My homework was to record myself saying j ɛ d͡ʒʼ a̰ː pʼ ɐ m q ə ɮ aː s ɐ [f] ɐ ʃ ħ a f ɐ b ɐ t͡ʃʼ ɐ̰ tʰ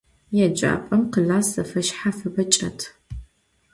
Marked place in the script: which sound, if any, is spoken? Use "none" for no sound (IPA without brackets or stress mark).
f